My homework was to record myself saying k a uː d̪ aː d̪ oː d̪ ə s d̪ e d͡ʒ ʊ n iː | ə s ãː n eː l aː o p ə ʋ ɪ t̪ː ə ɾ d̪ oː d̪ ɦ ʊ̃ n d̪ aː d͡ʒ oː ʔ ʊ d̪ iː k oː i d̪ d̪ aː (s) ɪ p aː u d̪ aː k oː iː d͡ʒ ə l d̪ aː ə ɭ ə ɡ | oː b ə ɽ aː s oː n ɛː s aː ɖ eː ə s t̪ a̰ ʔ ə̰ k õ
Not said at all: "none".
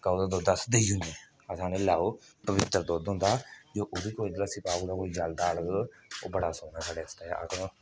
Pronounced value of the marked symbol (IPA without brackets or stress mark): s